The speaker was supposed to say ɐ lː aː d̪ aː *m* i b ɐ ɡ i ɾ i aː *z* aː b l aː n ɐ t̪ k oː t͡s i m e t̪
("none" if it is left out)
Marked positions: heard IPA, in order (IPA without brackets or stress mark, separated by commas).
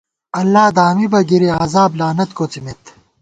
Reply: m, z